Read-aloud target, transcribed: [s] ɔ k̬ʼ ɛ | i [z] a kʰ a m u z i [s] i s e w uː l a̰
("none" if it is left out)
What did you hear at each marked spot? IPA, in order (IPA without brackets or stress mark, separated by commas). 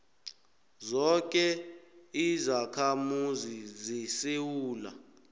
z, z, z